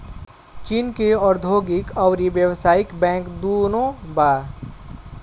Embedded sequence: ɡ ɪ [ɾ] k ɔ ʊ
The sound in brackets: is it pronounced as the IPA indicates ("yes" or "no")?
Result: no